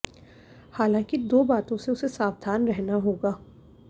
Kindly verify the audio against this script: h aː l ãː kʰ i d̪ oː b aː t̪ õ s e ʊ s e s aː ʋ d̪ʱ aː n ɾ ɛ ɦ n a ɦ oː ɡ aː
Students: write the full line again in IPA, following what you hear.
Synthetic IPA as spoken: h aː l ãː k i d̪ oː b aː t̪ õ s e ʊ s e s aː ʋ d̪ʱ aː n ɾ ɛ ɦ n a ɦ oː ɡ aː